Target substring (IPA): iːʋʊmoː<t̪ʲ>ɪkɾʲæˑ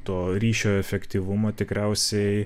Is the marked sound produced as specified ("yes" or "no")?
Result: yes